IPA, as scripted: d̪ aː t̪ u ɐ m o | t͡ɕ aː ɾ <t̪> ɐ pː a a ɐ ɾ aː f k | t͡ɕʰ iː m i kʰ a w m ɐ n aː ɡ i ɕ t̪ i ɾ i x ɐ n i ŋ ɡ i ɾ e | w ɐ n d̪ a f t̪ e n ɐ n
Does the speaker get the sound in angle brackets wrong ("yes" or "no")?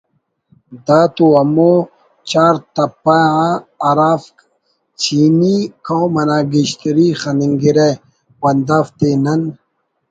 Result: no